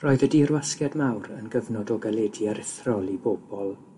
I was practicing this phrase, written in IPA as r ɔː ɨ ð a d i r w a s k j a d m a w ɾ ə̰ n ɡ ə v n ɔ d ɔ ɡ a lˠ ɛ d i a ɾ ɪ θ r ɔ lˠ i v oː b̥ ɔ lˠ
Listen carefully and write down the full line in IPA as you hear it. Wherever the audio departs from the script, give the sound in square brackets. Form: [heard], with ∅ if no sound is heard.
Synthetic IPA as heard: r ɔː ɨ ð [ə] d i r w a s k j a d m a w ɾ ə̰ n ɡ ə v n ɔ d ɔ ɡ a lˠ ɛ d i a ɾ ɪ θ r ɔ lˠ i [b] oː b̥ ɔ lˠ